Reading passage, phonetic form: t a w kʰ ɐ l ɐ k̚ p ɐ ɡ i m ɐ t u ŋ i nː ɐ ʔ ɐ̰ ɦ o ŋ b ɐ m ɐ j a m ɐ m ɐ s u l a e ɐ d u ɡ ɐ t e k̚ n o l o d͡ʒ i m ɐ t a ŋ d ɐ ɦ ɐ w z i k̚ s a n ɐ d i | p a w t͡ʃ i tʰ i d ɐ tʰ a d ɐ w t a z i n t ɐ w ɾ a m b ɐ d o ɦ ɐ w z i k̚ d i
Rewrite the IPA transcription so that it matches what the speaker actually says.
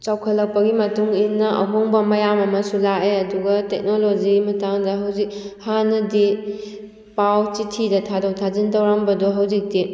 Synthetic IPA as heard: t͡ʃ a w kʰ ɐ l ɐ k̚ p ɐ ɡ i m ɐ t u ŋ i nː ɐ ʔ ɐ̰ ɦ o ŋ b ɐ m ɐ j a m ɐ m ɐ s u l a e ɐ d u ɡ ɐ t e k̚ n o l o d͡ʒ i m ɐ t a ŋ d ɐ ɦ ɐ w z i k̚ h a n ɐ d i | p a w t͡ʃ i tʰ i d ɐ tʰ a d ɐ w tʰ a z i n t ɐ w ɾ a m b ɐ d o ɦ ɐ w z i k̚ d i